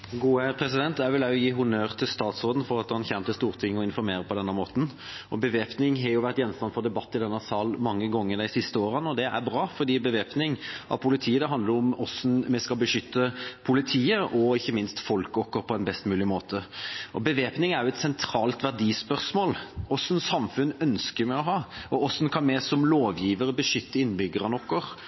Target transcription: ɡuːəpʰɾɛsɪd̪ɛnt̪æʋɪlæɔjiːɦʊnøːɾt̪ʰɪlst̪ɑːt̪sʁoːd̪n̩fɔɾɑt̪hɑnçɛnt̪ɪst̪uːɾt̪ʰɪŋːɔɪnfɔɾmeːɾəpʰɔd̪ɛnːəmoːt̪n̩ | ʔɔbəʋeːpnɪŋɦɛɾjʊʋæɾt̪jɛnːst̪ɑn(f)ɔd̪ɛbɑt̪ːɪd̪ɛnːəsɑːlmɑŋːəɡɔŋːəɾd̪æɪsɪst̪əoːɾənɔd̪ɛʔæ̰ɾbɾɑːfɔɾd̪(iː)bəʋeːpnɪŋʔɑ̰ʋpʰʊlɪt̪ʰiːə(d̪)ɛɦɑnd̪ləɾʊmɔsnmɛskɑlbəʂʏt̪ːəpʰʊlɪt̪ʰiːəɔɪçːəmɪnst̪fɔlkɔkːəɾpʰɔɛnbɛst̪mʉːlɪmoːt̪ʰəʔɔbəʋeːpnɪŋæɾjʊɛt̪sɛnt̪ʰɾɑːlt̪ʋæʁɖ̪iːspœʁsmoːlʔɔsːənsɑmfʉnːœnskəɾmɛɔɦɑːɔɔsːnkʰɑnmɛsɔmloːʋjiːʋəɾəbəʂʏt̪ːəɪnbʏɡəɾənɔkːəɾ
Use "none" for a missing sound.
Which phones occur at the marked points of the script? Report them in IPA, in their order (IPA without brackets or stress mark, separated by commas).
f, iː, d̪